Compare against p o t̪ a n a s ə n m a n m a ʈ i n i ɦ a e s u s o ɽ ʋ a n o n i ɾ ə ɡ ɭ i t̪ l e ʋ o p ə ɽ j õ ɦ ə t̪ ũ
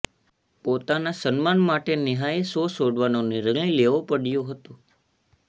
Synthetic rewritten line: p o t̪ a n a s ə n m a n m a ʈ e n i ɦ a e s o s o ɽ ʋ a n o n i ɾ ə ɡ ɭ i l e ʋ o p ə ɽ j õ ɦ ə t̪ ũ